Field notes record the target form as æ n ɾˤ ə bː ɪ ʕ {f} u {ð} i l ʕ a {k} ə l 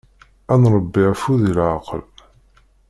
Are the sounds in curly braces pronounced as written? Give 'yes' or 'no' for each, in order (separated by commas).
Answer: yes, yes, no